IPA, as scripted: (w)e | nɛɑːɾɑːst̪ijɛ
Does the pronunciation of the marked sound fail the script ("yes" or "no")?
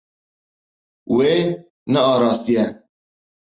no